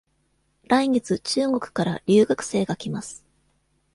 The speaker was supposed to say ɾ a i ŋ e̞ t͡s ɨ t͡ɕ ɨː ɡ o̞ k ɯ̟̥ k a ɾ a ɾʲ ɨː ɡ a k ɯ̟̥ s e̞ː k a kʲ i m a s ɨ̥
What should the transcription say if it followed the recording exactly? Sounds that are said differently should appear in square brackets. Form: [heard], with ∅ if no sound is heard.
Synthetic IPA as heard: ɾ a i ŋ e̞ t͡s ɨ t͡ɕ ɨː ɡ o̞ k ɯ̟̥ k a ɾ a ɾʲ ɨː ɡ a k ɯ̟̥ s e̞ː [ɡ] a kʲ i m a s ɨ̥